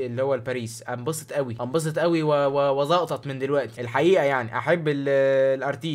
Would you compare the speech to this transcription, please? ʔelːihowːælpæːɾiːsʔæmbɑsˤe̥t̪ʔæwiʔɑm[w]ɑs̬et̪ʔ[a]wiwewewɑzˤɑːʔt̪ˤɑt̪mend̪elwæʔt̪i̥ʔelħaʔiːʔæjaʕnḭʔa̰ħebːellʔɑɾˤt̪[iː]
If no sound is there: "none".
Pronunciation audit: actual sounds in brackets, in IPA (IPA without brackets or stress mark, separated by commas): b, æ, iː